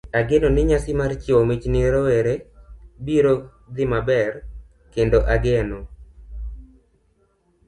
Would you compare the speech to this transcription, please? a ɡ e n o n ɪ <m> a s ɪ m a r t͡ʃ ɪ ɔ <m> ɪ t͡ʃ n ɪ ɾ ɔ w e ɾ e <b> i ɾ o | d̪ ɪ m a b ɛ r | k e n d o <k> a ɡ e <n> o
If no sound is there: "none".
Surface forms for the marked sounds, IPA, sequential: ɲ, m, b, ʔ, n

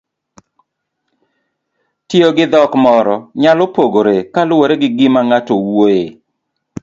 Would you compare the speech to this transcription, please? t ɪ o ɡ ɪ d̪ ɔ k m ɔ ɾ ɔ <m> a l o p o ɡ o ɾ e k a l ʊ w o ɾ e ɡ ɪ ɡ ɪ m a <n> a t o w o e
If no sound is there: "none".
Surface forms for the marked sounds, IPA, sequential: ɲ, ŋ

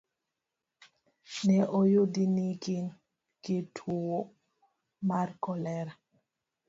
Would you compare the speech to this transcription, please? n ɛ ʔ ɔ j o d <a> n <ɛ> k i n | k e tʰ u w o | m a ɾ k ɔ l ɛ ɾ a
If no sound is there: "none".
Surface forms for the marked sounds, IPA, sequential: i, i

